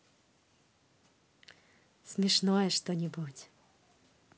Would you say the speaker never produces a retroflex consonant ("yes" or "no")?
no